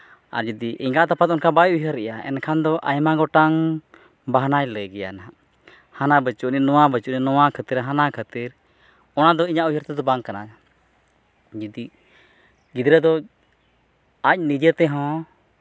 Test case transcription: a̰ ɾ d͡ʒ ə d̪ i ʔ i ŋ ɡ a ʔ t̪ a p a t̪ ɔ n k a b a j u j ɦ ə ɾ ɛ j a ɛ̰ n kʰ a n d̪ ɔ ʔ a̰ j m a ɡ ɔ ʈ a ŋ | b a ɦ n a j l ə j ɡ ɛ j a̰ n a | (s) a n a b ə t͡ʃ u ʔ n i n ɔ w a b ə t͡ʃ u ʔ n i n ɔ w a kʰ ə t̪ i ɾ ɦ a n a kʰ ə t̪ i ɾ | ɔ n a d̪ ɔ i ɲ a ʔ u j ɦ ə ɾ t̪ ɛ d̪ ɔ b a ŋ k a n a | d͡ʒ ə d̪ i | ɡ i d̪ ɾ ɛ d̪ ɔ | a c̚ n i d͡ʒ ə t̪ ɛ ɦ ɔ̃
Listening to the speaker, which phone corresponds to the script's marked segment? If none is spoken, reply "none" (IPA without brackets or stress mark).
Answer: h